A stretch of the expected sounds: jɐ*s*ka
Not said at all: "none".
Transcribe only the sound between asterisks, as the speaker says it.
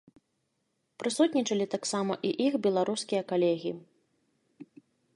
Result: none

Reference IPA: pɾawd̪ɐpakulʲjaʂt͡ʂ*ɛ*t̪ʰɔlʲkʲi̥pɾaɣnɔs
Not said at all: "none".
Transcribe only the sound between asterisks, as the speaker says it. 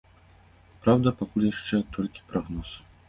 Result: ɛ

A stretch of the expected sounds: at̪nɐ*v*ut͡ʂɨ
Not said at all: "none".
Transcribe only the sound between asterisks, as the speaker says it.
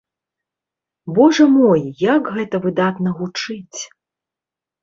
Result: ɣ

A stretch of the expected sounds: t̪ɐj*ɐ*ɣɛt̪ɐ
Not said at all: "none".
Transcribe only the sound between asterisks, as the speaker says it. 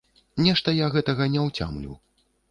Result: a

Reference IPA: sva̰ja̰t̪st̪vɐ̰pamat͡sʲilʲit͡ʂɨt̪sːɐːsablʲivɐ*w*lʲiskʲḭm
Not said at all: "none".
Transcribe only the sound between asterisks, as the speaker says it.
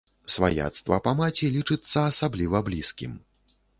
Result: b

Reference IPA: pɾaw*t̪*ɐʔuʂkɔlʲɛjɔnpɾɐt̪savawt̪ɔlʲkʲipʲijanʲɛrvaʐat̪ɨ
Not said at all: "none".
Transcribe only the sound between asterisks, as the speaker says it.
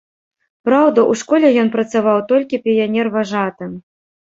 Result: d̪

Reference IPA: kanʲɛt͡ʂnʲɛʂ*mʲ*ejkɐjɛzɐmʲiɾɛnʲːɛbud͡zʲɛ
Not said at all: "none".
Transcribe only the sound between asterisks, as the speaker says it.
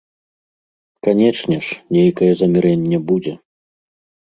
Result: nʲ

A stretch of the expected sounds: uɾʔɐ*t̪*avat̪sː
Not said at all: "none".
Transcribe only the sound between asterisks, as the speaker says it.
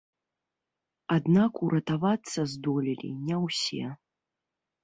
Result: t̪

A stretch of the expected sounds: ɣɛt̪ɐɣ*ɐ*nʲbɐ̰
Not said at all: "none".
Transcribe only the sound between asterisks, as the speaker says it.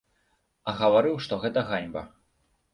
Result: a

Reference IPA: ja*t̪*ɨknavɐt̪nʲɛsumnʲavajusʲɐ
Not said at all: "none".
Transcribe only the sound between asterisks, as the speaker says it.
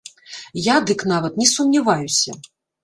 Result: d̪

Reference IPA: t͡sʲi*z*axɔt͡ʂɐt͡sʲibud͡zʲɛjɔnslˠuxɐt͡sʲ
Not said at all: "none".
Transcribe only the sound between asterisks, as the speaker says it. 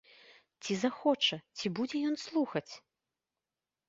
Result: z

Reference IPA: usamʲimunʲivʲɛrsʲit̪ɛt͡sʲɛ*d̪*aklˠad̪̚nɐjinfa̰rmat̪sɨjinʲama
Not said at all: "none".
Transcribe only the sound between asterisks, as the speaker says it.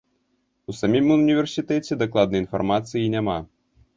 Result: d̪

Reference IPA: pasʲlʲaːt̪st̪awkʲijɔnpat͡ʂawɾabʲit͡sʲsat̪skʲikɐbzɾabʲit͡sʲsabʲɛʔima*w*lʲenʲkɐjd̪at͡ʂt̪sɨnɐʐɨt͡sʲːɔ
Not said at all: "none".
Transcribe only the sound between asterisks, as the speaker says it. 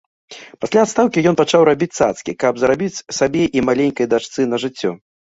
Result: none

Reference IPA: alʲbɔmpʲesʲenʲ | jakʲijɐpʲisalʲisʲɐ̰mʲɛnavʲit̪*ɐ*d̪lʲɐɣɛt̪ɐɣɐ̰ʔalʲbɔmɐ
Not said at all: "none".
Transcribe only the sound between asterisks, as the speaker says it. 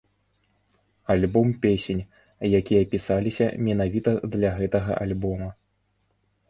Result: ɐ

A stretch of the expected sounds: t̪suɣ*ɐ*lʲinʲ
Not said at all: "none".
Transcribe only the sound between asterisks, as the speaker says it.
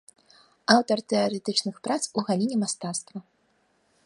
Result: a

